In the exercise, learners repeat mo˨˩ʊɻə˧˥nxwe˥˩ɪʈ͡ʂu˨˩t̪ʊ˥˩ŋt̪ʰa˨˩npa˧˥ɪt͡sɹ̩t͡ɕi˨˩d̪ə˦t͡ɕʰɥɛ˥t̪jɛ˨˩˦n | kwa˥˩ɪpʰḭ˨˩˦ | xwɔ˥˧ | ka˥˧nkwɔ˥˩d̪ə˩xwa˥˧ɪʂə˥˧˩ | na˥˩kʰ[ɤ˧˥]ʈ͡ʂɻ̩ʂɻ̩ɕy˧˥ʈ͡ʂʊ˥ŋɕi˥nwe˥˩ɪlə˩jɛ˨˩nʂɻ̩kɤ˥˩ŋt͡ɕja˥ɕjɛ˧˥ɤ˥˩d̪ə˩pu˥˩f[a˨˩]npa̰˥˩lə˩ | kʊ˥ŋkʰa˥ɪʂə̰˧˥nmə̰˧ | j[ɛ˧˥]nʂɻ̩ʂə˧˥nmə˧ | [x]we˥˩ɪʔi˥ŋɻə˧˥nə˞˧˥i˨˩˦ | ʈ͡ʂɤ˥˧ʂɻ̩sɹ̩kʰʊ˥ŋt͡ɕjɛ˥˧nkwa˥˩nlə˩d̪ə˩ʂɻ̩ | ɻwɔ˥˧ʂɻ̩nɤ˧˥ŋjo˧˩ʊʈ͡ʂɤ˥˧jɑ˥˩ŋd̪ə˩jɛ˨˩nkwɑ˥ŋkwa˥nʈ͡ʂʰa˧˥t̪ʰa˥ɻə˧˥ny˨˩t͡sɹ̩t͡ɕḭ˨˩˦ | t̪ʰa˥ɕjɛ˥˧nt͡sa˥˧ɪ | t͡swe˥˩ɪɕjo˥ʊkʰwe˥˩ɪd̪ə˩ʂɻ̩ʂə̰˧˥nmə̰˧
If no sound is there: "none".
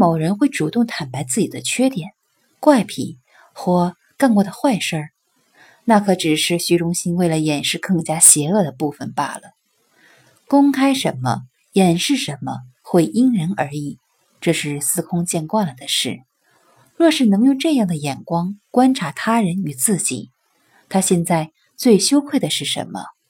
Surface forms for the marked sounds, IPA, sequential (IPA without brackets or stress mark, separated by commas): ɤ˧˥, ə˨˩, ɛ˨˩, x